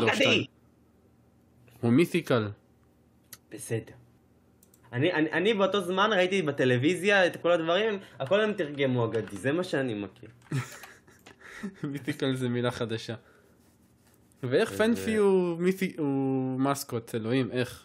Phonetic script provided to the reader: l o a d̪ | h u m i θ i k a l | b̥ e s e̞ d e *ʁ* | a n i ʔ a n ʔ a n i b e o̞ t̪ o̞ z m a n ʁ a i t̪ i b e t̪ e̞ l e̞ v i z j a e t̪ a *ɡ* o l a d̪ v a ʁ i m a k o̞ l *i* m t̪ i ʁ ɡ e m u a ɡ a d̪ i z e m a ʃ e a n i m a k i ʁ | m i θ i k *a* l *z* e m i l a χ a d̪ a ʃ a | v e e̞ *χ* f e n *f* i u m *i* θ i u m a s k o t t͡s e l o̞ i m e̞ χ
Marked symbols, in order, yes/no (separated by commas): yes, no, no, yes, yes, yes, yes, yes